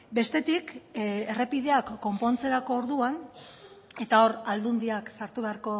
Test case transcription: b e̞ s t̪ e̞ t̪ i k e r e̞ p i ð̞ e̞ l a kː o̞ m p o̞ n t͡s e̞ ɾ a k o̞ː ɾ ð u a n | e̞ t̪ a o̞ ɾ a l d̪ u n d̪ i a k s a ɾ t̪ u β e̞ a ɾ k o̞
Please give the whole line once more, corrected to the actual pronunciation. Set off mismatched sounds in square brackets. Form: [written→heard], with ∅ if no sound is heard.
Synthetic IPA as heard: b e̞ s t̪ e̞ t̪ i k e r e̞ p i ð̞ e̞ [l→∅] a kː o̞ m p o̞ n t͡s e̞ ɾ a k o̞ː ɾ ð u a n | e̞ t̪ a o̞ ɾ a l d̪ u n d̪ i a k s a ɾ t̪ u β e̞ a ɾ k o̞